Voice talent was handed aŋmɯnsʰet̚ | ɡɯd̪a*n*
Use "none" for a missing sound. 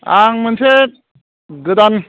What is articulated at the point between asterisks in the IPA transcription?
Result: n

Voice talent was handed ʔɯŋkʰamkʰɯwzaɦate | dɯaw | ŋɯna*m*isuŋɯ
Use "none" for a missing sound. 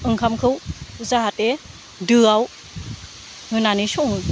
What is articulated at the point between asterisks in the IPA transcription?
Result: n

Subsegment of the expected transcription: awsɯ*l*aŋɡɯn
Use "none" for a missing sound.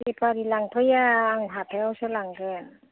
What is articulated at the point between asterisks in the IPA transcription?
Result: l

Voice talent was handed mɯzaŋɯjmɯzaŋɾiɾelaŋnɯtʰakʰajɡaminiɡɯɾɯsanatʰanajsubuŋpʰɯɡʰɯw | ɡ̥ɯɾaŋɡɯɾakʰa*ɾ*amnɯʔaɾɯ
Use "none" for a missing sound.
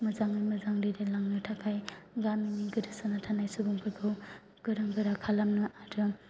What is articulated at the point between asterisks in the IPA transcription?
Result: l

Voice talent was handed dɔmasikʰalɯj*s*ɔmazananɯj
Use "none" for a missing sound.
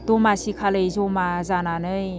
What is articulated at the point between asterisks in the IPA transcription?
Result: z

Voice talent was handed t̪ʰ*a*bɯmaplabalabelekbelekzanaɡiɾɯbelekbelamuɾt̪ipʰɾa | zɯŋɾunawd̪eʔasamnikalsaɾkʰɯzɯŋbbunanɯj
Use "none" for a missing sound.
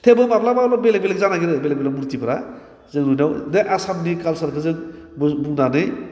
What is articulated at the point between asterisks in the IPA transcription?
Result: e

